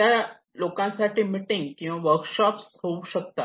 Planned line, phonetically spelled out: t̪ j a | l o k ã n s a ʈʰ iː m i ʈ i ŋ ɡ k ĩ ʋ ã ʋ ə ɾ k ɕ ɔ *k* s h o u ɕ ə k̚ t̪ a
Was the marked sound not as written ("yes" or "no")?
yes